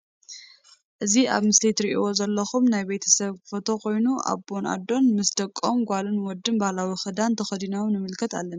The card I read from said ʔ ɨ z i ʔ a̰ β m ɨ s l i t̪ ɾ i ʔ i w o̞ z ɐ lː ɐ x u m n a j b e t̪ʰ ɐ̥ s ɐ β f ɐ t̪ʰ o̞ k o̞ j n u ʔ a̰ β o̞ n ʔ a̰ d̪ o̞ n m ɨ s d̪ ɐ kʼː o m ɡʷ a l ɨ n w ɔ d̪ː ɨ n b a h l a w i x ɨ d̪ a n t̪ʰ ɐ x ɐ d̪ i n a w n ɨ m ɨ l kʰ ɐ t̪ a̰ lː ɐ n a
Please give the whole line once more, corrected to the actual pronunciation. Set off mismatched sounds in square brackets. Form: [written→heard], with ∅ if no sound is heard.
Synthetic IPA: ʔ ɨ z i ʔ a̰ β m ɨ s l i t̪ ɾ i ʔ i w o̞ z ɐ lː ɐ x u m n a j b e t̪ʰ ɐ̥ s ɐ β f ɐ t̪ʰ o̞ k o̞ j n u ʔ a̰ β o̞ n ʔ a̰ d̪ o̞ n m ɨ s d̪ ɐ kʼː o m ɡʷ a l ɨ n w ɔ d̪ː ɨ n b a h l a w i x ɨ d̪ a n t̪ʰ ɐ x ɐ d̪ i n a w n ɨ m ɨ l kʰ ɐ t̪ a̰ lː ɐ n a

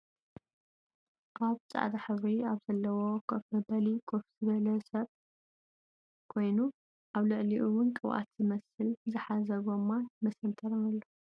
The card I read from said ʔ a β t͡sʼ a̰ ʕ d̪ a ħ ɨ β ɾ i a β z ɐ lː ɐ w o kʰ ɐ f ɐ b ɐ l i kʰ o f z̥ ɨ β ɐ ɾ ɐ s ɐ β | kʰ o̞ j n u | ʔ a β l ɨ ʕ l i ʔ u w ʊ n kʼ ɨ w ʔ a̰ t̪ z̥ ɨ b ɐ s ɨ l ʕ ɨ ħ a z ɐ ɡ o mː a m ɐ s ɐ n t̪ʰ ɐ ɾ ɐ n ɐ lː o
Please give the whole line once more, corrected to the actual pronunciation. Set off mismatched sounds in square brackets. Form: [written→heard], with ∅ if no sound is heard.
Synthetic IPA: ʔ a β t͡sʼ a̰ ʕ d̪ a ħ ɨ β ɾ i a β z ɐ lː ɐ w o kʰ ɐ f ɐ b ɐ l i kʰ o f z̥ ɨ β ɐ [ɾ→l] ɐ s ɐ β | kʰ o̞ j n u | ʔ a β l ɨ ʕ l i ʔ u w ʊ n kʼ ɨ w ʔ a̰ t̪ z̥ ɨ [b→m] ɐ s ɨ l [ʕ→z] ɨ ħ a z ɐ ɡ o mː a m ɐ s ɐ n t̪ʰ ɐ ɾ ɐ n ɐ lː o

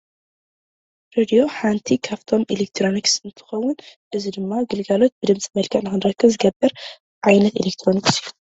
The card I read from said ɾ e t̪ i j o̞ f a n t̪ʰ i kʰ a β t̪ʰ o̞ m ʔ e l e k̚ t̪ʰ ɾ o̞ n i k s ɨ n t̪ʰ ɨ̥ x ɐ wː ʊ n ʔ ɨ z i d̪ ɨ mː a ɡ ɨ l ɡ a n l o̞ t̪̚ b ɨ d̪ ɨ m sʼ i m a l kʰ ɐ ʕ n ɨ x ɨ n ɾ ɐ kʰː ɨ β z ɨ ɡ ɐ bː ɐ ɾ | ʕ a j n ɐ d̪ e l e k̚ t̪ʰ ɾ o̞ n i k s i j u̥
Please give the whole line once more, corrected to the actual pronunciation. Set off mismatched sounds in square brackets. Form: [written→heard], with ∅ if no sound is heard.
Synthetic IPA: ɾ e [t̪→d̪] i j o̞ [f→ħ] a n t̪ʰ i kʰ a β t̪ʰ o̞ m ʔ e l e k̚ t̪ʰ ɾ o̞ n i k s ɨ n t̪ʰ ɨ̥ x ɐ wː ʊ n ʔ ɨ z i d̪ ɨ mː a ɡ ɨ l ɡ a [n→∅] l o̞ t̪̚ b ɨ d̪ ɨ m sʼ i m [a→ɐ] l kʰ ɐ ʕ n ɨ x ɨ n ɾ ɐ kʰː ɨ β z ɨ ɡ ɐ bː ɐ ɾ | ʕ a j n ɐ [d̪→t̪] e l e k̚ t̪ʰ ɾ o̞ n i k s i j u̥

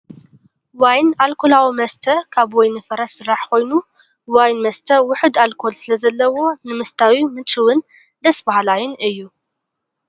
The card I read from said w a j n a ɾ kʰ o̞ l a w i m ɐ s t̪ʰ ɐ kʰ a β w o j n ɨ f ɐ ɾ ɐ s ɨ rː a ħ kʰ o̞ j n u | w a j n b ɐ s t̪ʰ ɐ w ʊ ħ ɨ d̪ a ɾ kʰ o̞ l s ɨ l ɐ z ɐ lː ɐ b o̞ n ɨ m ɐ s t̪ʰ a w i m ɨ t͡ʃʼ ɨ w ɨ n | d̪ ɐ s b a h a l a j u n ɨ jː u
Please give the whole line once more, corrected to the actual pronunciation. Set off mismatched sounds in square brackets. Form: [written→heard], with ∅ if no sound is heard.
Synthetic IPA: w a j n a [ɾ→l] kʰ o̞ l a w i m ɐ s t̪ʰ ɐ kʰ a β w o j n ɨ f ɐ ɾ ɐ s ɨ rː a ħ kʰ o̞ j n u | w a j n [b→m] ɐ s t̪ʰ ɐ w ʊ ħ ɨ d̪ a [ɾ→l] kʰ o̞ l s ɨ l ɐ z ɐ lː ɐ [b→w] o̞ n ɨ m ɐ s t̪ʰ a w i m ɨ t͡ʃʼ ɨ w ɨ n | d̪ ɐ s b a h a l a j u n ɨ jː u

